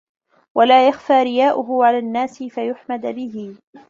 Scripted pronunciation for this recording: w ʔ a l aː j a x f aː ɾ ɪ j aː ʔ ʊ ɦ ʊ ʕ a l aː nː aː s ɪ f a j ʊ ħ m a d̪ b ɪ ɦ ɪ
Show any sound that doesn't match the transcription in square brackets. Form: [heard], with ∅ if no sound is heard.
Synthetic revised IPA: w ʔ a l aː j a x f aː ɾ ɪ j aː ʔ ʊ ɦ ʊ ʕ a l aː nː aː s ɪ f a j ʊ ħ m a d̪ b ɪ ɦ ɪ